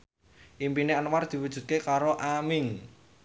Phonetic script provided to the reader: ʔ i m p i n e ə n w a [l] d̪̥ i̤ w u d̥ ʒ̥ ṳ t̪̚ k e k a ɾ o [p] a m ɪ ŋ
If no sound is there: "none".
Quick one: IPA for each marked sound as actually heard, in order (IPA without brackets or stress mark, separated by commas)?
r, ʔ